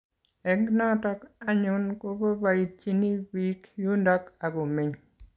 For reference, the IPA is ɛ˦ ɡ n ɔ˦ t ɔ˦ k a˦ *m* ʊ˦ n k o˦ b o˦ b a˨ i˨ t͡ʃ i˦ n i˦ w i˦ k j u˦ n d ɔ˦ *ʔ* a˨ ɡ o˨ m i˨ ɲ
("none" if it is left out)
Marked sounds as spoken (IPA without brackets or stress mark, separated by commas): ɲ, k